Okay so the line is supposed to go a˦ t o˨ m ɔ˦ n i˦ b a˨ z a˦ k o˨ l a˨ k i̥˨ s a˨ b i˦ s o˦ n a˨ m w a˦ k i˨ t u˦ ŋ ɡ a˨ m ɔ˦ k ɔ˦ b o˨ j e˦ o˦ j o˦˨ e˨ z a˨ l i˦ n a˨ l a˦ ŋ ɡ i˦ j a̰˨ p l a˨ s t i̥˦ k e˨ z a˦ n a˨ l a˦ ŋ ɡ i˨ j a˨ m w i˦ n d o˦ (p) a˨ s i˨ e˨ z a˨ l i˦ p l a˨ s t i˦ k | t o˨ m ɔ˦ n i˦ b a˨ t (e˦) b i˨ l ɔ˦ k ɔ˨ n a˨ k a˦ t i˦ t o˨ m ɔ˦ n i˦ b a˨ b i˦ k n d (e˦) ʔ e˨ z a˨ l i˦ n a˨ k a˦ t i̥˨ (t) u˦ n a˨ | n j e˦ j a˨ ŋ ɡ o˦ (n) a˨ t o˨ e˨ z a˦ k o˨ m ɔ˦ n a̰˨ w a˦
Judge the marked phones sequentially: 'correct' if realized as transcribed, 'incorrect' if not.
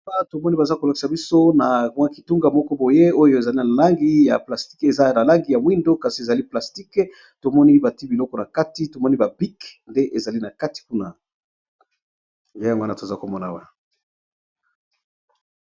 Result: incorrect: k, incorrect: i˦, correct, incorrect: k, correct

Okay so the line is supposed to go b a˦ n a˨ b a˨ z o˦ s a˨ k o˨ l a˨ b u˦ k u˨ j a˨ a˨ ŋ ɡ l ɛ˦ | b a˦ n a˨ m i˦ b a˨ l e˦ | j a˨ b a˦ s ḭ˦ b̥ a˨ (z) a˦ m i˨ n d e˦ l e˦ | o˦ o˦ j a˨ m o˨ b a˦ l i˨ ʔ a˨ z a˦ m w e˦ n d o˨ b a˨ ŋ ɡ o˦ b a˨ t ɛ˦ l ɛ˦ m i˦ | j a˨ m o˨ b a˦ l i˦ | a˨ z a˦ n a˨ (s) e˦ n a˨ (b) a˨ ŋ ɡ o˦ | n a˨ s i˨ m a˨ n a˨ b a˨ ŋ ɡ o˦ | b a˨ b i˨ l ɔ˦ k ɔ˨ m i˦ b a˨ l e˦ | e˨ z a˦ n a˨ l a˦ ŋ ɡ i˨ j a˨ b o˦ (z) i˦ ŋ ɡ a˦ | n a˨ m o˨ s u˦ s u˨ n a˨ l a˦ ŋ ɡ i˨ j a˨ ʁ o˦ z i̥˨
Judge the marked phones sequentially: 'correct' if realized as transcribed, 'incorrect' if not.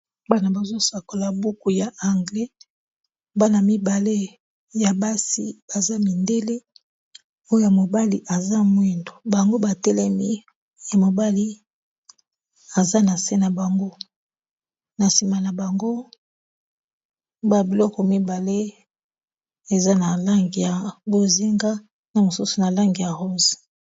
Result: correct, correct, correct, correct

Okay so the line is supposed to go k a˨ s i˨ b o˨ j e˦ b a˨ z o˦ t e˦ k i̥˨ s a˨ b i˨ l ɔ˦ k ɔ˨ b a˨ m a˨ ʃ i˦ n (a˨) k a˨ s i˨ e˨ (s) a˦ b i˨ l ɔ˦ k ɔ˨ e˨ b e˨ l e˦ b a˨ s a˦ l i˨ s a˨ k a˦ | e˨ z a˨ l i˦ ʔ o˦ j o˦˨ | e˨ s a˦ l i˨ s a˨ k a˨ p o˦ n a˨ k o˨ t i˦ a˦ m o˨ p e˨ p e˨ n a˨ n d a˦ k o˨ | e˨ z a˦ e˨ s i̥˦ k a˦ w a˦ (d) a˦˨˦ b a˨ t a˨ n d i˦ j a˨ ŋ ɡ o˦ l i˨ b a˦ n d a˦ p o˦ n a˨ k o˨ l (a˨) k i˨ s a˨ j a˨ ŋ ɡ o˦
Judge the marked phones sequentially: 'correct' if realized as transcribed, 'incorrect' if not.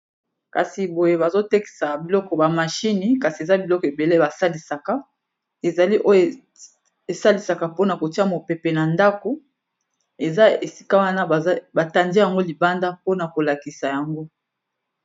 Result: incorrect: i˨, incorrect: z, incorrect: n, correct

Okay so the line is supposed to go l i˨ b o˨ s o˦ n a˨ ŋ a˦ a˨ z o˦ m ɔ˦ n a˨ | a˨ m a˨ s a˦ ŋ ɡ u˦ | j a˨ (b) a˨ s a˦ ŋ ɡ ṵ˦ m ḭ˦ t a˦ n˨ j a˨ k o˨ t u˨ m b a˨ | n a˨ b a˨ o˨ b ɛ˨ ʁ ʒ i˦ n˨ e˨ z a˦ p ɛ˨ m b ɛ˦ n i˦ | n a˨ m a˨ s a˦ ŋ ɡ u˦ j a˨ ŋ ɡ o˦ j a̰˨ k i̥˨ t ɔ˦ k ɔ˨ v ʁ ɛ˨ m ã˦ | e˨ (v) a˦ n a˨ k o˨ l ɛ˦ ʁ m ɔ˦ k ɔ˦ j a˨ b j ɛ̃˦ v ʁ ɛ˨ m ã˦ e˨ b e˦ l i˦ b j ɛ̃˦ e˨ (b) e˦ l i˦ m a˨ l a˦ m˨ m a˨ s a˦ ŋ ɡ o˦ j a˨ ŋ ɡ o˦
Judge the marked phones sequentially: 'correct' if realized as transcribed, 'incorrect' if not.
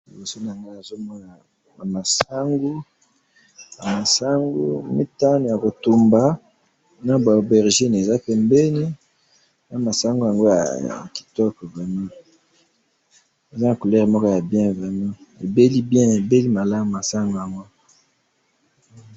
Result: incorrect: m, incorrect: z, correct

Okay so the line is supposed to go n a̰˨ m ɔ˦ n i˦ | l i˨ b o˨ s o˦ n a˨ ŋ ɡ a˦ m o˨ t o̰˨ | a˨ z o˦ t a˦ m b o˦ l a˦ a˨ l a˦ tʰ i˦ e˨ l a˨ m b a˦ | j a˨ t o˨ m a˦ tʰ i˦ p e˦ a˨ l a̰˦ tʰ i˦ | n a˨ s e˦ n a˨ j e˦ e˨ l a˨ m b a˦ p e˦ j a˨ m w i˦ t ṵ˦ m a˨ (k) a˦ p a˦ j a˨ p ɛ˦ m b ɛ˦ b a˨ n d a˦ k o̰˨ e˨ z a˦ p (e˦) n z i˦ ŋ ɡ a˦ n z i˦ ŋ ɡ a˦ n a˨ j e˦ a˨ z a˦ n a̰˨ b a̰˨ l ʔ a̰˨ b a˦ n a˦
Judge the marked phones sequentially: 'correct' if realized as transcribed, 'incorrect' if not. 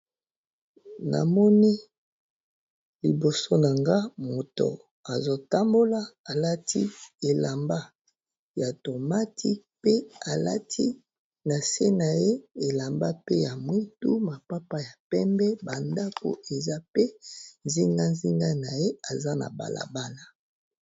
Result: incorrect: p, correct

